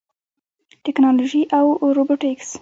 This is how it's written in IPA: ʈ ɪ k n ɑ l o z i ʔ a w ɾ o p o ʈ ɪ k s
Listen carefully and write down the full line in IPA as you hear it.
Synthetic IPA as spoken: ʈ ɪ k n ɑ l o ʒ i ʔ a w ɾ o b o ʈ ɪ k s